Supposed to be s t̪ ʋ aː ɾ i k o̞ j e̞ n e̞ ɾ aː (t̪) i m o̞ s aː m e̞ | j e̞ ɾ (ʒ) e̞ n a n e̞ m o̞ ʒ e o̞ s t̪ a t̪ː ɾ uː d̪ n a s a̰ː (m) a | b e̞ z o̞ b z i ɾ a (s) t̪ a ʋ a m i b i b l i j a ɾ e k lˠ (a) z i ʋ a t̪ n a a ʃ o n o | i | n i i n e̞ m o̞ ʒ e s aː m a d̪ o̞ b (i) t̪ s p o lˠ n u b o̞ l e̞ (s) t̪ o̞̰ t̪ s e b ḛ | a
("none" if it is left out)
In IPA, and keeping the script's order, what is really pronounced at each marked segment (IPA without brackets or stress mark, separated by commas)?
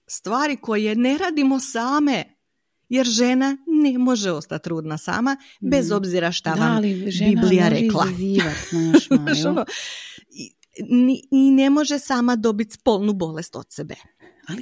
d̪, ʒ, m, ʃ, a, i, s